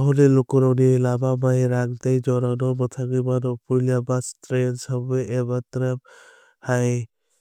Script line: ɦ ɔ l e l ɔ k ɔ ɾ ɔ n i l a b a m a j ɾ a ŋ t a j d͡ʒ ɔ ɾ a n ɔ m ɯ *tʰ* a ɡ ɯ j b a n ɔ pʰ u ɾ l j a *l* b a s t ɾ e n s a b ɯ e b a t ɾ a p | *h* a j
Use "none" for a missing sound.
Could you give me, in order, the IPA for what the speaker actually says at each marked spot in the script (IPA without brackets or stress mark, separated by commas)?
tʰ, none, h